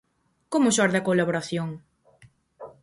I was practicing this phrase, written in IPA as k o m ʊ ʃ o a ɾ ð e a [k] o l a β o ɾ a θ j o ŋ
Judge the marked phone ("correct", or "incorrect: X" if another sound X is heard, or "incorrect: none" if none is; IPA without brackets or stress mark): correct